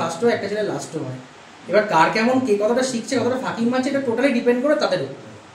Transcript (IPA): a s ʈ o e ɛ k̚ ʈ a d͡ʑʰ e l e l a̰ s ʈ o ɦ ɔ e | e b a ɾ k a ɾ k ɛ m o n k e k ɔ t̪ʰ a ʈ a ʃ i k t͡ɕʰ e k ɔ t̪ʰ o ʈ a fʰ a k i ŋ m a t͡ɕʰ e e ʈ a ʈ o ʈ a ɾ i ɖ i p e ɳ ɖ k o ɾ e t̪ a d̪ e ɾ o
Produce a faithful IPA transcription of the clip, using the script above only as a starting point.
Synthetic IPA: a s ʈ o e ɛ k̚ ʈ a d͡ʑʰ e l e l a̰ s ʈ o ɦ ɔ e | e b a ɾ k a ɾ k ɛ m o n k e k ɔ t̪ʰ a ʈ a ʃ i k t͡ɕʰ e k ɔ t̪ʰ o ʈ a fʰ a k i ŋ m a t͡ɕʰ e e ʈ a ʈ o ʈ a l i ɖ i p e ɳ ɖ k o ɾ e t̪ a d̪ e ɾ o